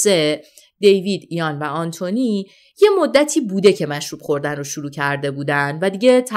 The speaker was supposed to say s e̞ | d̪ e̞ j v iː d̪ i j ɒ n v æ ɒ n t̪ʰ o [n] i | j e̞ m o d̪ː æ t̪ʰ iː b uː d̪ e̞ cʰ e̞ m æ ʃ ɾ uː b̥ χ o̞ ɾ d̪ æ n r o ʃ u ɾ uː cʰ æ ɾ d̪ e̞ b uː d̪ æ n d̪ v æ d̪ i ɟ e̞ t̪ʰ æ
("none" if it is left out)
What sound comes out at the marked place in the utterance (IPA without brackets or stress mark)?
n